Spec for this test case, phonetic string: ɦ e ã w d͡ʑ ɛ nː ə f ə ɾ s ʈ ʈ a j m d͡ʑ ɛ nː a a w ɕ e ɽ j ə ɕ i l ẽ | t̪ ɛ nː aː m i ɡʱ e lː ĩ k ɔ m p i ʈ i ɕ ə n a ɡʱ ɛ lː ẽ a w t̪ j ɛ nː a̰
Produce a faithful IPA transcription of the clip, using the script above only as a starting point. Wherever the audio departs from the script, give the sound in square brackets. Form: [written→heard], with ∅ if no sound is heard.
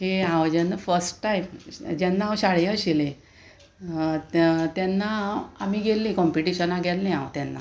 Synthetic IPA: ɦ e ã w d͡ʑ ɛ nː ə f ə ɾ s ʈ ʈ a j m d͡ʑ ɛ nː a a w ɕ [e→a] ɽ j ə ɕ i l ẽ | t̪ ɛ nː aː m i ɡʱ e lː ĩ k ɔ m p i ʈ i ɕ ə n a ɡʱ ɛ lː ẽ a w t̪ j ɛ nː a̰